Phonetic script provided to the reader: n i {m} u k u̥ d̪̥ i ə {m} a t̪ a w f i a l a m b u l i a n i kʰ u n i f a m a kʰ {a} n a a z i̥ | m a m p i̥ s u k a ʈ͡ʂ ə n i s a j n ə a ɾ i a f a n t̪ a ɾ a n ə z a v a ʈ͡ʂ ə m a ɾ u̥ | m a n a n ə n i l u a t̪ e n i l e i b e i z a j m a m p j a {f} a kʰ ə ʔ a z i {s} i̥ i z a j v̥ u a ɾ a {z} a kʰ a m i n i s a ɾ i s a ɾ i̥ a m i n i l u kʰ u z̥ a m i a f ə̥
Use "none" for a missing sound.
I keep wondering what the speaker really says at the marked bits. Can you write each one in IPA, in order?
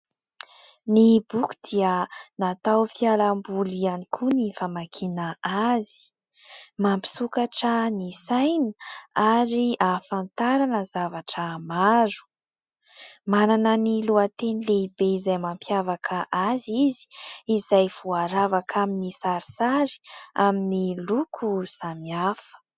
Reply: b, n, i, v, z, v

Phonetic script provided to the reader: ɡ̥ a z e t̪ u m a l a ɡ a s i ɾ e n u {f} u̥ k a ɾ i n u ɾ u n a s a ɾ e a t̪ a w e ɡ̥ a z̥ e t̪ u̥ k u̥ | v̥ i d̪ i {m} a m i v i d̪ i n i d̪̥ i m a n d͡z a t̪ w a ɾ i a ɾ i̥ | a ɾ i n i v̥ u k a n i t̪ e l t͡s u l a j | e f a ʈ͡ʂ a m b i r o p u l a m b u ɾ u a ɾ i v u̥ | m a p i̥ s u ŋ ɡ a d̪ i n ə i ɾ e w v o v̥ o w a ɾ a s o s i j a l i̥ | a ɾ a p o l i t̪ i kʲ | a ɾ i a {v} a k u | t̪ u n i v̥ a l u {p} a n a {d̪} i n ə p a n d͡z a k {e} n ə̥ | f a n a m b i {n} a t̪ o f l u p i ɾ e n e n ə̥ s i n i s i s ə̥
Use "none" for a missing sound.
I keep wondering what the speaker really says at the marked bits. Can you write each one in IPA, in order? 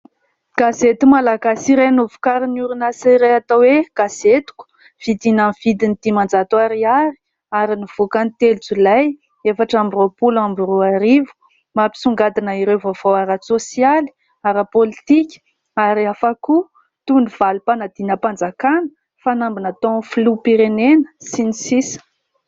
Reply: v, n, f, p, d̪, a, n

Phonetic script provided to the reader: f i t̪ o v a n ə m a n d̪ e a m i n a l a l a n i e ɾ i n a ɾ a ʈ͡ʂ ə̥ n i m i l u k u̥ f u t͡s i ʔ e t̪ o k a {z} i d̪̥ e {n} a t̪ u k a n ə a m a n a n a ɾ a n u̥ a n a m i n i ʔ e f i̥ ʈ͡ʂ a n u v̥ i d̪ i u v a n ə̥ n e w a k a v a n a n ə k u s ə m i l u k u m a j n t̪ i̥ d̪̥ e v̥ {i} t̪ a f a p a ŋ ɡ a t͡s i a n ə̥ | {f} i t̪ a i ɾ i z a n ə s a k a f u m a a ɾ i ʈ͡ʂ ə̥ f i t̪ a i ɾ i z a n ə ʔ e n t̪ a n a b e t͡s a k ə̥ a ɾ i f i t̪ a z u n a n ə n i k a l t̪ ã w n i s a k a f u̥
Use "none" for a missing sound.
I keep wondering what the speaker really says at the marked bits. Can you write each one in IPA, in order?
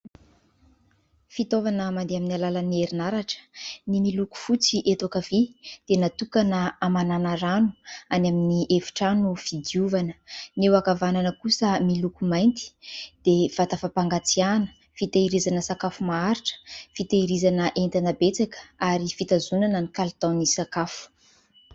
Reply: v, n, a, f

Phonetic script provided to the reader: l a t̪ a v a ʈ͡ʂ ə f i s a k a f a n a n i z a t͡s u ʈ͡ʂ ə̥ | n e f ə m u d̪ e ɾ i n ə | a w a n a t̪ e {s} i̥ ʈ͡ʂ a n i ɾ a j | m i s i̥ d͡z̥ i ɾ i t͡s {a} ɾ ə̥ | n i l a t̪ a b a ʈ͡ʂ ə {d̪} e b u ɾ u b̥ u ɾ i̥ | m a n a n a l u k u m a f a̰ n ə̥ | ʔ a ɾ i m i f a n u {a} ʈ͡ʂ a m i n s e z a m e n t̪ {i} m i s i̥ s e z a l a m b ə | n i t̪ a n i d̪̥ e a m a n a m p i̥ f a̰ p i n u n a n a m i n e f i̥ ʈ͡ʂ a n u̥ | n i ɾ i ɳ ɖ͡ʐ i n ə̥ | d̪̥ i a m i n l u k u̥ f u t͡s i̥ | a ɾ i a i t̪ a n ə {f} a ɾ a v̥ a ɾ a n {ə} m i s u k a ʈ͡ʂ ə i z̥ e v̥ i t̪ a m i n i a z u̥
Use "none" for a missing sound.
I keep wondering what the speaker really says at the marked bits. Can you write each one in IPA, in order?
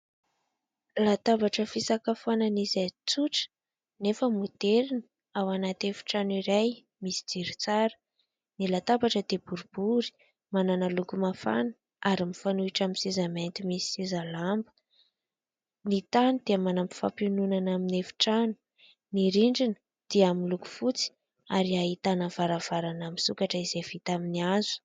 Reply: f, a, d̪, i, i, v, a

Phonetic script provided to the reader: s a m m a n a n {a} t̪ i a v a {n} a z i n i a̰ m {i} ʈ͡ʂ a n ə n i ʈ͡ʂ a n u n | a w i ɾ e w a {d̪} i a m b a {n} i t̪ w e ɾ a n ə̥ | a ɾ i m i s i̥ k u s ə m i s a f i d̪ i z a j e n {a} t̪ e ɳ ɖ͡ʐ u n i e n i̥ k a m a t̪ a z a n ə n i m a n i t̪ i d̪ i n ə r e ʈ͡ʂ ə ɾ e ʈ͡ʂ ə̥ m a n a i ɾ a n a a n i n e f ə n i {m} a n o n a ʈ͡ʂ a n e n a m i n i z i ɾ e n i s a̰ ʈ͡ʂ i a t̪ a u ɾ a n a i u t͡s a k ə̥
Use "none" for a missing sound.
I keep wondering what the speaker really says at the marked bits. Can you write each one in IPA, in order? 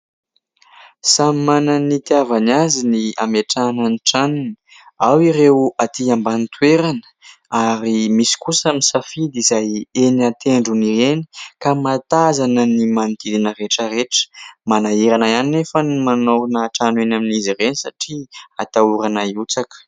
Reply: i, n, e, t̪, n, a, m

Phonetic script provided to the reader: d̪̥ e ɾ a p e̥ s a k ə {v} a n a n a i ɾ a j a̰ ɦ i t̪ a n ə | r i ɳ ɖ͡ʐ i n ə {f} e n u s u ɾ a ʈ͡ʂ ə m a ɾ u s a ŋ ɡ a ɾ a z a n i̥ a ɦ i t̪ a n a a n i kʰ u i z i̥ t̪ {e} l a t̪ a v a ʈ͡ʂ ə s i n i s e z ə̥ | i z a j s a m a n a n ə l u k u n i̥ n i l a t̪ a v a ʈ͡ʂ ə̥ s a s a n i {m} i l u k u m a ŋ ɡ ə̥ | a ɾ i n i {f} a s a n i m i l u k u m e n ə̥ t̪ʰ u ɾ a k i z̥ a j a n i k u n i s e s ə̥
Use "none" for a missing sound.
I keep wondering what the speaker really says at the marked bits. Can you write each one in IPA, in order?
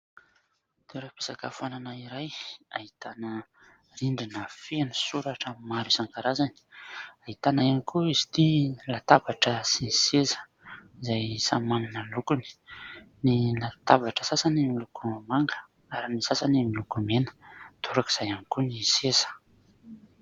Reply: f, f, i, m, s

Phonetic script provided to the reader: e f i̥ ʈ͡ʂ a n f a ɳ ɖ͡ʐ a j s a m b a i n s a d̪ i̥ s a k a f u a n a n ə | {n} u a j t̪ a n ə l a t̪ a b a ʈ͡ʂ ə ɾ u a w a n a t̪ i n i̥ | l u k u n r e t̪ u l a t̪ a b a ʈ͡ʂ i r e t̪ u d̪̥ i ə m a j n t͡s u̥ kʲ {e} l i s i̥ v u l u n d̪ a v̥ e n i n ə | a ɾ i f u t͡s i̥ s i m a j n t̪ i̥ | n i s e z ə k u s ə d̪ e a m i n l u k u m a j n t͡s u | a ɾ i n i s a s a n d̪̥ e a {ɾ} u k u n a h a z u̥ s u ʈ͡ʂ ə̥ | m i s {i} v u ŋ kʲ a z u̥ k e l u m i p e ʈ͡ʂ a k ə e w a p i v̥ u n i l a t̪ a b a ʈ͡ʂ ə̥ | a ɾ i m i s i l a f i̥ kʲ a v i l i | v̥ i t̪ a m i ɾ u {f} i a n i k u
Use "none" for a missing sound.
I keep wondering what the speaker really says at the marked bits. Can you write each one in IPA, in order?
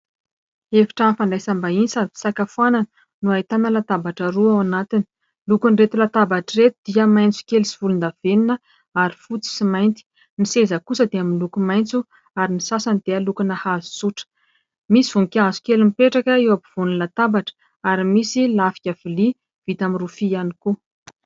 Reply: n, e, l, i, f

